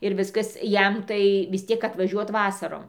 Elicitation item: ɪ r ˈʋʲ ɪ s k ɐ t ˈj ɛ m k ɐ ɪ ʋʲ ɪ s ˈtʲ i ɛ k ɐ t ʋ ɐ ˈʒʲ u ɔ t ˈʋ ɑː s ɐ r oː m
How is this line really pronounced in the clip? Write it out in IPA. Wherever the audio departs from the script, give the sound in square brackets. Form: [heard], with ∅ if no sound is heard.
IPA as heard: ɪ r ˈʋʲ ɪ s k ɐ [s] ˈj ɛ m [t] ɐ ɪ ʋʲ ɪ s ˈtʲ i ɛ k ɐ t ʋ ɐ ˈʒʲ u ɔ t ˈʋ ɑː s ɐ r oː m